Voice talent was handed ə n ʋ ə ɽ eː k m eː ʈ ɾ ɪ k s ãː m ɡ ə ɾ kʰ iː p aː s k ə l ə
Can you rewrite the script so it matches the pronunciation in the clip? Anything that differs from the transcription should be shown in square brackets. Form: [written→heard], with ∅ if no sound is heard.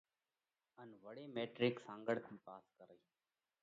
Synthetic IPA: ə n ʋ ə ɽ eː [k→∅] m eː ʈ ɾ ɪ k s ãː [m→ŋ] ɡ ə [ɾ→ɽ] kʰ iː p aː s k ə [l→ɾ] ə